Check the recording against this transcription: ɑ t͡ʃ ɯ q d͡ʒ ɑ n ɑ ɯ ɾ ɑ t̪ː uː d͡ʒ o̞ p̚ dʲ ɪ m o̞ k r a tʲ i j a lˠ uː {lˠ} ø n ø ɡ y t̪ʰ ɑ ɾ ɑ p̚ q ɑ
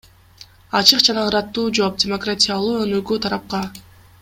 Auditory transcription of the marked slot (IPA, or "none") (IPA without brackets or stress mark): none